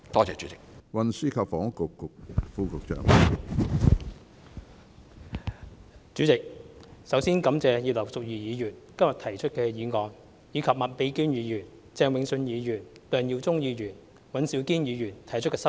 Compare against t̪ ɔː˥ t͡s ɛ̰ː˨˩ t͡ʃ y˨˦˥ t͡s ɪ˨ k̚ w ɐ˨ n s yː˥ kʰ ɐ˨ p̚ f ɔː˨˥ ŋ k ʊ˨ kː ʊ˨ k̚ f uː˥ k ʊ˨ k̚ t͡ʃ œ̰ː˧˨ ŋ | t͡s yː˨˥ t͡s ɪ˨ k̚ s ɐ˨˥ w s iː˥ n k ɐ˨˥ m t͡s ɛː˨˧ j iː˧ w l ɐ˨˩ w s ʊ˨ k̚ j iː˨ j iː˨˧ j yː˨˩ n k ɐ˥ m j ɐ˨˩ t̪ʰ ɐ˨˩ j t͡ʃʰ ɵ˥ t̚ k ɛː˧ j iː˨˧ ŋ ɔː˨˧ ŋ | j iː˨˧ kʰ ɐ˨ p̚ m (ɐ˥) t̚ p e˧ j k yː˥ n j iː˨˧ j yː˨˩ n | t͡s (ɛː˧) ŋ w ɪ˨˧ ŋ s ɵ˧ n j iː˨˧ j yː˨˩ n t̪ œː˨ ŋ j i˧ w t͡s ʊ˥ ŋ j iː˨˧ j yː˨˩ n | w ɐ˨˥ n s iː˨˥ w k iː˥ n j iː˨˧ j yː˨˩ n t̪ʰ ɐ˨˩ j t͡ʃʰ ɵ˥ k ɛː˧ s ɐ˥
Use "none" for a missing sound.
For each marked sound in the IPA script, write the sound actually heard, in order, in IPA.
ɐ˨, ɛː˧

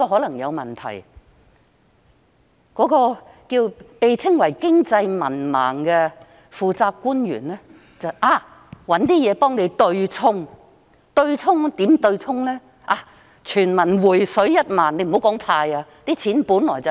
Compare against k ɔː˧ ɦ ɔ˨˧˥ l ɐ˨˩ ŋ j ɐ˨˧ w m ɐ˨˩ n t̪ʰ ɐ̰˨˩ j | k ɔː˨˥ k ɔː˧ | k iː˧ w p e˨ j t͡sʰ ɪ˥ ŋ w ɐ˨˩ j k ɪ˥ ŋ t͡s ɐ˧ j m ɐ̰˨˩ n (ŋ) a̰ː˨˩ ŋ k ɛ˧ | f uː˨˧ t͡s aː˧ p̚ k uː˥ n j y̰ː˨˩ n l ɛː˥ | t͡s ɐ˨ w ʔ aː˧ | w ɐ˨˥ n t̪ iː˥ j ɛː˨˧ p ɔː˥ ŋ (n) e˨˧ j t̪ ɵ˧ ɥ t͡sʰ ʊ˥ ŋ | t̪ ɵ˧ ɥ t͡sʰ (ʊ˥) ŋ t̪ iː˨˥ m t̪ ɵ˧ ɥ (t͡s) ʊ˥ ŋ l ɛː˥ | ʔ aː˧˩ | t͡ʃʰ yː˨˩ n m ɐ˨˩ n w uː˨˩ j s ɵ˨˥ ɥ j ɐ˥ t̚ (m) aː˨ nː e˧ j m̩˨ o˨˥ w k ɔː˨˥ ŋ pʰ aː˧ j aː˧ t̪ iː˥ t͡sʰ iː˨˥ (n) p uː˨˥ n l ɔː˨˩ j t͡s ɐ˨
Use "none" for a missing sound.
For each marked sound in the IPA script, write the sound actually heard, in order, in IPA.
m, n, ʊ˥, t͡sʰ, m, n

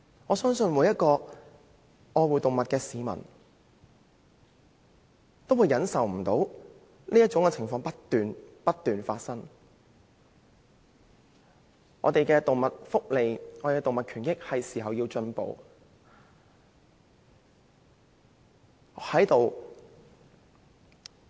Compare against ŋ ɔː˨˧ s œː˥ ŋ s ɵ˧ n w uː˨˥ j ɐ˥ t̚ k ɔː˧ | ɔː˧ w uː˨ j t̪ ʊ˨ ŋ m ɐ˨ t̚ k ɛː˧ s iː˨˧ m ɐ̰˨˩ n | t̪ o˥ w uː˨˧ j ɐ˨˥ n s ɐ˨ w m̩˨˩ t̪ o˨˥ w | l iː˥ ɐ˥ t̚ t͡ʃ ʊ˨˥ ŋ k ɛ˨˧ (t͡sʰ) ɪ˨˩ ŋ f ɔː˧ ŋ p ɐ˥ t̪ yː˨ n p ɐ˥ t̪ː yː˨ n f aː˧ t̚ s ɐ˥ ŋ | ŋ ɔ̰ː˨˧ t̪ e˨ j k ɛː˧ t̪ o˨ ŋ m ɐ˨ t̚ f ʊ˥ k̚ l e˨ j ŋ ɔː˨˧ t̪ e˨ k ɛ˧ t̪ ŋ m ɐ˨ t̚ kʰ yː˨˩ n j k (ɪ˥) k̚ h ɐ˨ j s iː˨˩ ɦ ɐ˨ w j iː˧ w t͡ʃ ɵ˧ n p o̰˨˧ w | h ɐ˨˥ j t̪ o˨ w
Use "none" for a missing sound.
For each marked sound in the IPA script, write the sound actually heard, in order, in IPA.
t͡sʰ, ɪ˥

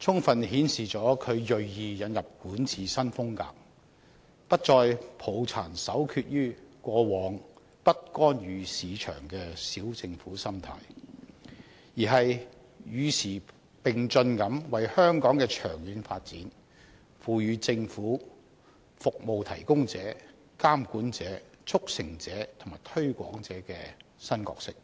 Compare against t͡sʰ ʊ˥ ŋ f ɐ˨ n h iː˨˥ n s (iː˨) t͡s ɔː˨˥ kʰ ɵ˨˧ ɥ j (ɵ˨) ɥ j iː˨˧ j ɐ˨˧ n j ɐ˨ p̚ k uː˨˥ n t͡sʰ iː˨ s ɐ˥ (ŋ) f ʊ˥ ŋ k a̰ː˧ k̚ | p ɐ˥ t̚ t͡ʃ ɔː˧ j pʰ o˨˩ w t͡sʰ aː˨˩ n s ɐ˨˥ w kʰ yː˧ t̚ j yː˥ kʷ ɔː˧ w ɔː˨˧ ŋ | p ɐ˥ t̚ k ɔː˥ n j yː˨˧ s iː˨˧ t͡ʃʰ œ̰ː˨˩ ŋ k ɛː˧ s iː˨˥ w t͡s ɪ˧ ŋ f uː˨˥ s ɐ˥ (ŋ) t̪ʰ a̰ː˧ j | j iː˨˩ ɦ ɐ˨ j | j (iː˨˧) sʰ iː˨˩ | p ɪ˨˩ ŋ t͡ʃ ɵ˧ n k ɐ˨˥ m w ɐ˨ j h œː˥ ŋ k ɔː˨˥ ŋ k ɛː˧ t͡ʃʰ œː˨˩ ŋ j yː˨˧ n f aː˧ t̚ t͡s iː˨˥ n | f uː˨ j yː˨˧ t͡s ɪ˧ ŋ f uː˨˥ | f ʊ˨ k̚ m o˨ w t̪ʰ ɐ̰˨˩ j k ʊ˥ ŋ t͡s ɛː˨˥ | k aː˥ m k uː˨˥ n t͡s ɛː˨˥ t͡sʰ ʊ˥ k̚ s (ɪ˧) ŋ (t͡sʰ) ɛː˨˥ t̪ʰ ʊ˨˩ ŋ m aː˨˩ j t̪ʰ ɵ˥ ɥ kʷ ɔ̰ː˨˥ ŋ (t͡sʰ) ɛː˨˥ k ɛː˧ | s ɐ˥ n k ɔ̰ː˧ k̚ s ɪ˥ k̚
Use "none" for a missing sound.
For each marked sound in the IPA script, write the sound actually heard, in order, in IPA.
iː˨, ɵ˨, n, m, yː˨˧, ɪ˨˩, t͡s, t͡s

